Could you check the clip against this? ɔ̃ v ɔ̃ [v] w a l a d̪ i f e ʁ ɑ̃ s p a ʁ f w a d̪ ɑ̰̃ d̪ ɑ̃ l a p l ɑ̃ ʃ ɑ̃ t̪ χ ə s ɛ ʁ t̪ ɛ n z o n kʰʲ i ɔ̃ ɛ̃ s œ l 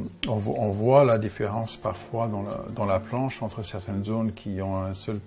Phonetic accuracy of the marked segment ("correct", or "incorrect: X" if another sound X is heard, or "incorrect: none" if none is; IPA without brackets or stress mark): correct